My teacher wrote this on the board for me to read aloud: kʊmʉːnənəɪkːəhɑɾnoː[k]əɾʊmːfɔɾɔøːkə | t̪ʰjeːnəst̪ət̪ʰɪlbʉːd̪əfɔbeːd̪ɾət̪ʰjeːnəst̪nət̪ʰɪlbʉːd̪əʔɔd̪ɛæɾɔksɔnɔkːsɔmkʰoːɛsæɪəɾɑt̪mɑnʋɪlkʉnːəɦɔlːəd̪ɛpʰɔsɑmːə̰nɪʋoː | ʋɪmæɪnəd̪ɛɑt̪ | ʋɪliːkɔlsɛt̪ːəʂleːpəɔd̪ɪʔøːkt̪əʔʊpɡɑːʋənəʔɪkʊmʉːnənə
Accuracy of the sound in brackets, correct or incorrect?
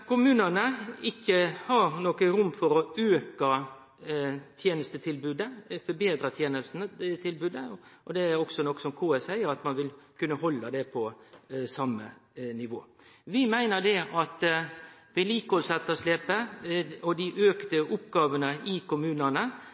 correct